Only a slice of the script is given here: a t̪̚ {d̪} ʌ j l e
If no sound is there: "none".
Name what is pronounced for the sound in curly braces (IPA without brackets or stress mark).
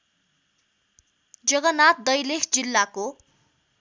d̪